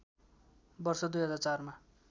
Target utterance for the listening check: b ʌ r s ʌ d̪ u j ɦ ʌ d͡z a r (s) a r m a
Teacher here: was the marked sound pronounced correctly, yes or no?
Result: no